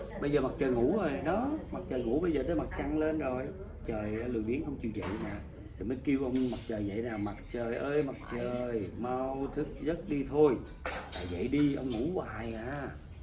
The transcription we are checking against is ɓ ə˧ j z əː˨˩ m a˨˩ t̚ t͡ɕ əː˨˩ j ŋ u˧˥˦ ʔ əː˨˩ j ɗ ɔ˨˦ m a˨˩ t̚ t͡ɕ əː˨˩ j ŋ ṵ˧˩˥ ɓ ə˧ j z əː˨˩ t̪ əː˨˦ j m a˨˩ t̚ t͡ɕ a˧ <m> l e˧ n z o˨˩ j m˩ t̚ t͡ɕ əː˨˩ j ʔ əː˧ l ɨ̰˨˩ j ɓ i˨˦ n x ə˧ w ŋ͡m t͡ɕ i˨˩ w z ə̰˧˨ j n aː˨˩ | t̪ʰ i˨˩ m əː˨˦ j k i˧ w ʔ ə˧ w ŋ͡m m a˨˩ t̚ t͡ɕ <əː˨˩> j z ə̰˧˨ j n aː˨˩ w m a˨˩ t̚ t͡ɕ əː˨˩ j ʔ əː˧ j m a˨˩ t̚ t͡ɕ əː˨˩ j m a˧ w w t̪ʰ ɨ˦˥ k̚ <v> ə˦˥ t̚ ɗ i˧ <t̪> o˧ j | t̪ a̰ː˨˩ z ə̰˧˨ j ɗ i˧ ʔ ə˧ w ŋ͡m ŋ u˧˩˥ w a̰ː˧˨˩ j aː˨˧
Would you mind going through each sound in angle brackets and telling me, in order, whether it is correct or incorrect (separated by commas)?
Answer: incorrect, correct, incorrect, incorrect